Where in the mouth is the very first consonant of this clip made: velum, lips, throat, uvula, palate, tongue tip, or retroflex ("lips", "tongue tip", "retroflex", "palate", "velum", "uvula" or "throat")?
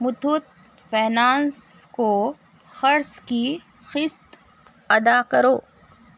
lips